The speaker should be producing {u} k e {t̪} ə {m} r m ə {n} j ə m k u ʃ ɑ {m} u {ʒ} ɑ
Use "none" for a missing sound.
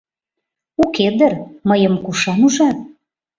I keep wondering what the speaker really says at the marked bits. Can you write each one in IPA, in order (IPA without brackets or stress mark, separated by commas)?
u, d̪, none, none, n, ʒ